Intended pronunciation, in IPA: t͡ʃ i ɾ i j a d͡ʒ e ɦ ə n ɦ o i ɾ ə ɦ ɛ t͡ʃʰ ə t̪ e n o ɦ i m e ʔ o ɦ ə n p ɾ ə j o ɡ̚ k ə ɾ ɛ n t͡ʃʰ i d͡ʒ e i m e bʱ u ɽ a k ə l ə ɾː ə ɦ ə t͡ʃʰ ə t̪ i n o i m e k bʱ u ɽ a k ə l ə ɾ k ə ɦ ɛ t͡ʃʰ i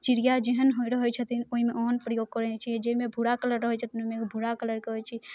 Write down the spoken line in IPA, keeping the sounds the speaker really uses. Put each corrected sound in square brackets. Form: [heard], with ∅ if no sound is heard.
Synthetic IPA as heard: t͡ʃ i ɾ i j a d͡ʒ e ɦ ə n ɦ o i ɾ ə ɦ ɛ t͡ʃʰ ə t̪ [i] n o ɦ i m e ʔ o ɦ ə n p ɾ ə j o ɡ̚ k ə ɾ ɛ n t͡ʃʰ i d͡ʒ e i m e bʱ u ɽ a k ə l ə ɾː ə ɦ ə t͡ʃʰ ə t̪ i n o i m e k bʱ u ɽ a k ə l ə ɾ k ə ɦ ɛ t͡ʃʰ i